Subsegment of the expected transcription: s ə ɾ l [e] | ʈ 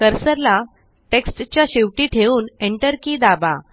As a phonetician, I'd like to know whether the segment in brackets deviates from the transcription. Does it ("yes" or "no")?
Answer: yes